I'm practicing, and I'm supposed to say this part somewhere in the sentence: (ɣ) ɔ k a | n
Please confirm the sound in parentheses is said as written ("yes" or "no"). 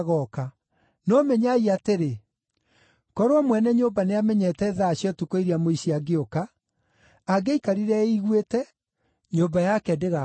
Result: yes